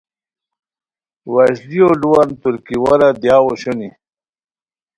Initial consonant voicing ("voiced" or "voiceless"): voiced